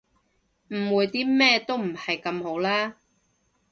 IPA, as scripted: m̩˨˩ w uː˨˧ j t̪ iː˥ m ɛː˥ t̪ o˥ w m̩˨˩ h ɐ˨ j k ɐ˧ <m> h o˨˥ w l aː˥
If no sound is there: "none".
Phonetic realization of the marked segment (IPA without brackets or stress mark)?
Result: m